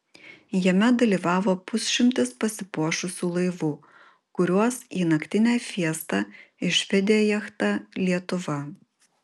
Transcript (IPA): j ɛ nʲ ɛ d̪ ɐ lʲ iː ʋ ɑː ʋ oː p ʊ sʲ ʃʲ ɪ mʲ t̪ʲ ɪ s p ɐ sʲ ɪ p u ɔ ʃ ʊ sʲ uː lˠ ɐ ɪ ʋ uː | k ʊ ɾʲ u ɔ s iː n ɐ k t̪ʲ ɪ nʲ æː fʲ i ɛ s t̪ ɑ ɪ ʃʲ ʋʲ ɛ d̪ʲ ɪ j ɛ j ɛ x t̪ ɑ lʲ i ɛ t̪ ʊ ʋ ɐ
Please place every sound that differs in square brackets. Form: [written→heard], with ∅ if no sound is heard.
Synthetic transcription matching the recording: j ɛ [nʲ→mʲ] ɛ d̪ ɐ lʲ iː ʋ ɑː ʋ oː p ʊ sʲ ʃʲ ɪ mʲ t̪ʲ ɪ s p ɐ sʲ ɪ p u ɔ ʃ ʊ sʲ uː lˠ ɐ ɪ ʋ uː | k ʊ ɾʲ u ɔ s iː n ɐ k t̪ʲ ɪ nʲ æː fʲ i ɛ s t̪ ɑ ɪ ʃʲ ʋʲ ɛ d̪ʲ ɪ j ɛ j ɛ x t̪ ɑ lʲ i ɛ t̪ ʊ ʋ ɐ